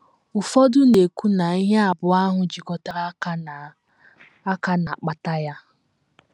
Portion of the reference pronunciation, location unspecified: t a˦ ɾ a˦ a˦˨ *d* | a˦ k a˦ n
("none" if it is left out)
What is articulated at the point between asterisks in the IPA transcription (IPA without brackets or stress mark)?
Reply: none